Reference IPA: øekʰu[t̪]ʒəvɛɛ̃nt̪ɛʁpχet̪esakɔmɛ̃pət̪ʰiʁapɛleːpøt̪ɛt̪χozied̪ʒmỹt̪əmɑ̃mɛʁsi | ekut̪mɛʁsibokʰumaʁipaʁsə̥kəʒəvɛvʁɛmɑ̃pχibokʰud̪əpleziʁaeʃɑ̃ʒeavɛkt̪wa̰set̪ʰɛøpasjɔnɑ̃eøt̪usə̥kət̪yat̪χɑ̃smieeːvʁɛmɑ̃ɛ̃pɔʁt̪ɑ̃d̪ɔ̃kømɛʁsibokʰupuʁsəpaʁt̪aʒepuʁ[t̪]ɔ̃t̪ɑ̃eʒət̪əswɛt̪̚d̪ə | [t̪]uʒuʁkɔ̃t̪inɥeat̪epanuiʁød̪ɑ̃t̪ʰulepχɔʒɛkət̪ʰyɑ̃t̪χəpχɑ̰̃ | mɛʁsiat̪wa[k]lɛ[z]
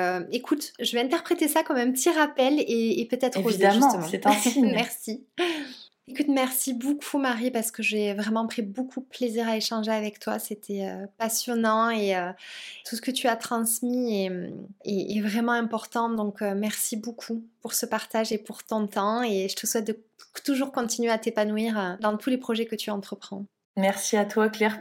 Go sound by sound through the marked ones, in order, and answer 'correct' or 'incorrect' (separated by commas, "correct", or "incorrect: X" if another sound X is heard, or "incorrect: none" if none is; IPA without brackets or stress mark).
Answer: correct, correct, correct, correct, incorrect: ʁ